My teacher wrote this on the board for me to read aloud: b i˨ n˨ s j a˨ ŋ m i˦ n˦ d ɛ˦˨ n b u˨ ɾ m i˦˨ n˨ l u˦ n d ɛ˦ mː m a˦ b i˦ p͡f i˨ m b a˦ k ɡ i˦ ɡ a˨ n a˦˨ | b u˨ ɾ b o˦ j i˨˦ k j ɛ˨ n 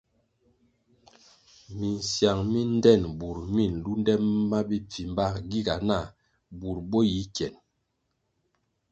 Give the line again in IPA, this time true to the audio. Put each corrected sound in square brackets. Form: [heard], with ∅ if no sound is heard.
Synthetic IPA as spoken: [m] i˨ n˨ s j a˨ ŋ m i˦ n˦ d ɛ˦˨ n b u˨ ɾ m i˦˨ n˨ l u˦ n d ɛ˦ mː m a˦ b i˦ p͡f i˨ m b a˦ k ɡ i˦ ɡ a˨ n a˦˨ | b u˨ ɾ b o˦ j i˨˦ k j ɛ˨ n